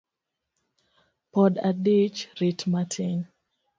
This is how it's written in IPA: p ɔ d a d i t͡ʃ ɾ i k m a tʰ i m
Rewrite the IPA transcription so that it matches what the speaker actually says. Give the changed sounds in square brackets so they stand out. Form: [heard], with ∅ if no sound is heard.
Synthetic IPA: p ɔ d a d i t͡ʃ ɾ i [t] m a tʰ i [n]